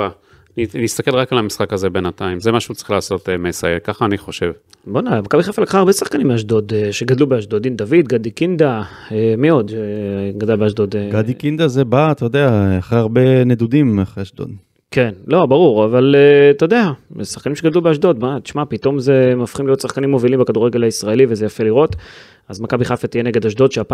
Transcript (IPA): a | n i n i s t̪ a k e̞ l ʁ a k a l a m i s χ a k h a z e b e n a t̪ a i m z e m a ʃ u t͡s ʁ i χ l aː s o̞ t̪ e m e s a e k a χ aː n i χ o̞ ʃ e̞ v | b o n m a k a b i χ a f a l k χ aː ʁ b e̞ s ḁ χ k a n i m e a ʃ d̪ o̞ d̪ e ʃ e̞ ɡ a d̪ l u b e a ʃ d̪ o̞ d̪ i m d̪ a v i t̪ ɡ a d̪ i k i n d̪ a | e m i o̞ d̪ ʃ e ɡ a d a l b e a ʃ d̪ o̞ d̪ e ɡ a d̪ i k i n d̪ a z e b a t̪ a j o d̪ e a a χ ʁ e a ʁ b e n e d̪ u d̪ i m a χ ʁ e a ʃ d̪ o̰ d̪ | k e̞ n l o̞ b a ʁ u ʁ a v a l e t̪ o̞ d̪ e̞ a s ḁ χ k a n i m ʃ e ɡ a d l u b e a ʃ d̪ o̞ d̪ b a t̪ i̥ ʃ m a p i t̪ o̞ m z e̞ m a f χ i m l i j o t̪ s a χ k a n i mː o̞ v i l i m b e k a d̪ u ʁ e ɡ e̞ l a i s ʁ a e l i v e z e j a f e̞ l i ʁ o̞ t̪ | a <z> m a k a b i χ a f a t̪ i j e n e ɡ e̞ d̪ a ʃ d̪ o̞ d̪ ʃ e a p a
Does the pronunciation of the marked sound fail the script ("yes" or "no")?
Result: no